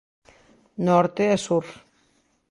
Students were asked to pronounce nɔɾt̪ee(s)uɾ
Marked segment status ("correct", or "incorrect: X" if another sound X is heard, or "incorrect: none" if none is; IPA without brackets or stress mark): correct